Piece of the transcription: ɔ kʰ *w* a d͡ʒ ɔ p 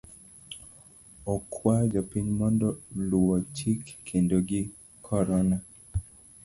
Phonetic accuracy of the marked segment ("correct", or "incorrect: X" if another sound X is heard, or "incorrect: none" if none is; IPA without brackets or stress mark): correct